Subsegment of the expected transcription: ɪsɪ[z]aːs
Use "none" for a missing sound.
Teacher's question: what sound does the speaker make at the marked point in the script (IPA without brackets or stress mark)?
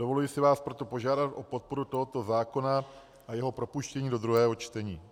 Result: v